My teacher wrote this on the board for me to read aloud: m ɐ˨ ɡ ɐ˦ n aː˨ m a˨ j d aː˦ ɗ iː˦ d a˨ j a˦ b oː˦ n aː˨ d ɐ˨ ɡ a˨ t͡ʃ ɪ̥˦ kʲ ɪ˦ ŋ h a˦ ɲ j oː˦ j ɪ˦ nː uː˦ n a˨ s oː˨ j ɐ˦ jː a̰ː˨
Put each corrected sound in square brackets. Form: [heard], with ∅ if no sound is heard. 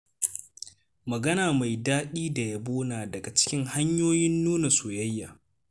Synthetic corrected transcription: m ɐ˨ ɡ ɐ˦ n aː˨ m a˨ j d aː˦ ɗ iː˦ d a˨ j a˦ b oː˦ n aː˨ d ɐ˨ ɡ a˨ t͡ʃ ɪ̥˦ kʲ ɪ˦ ŋ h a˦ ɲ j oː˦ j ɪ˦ nː uː˦ n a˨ s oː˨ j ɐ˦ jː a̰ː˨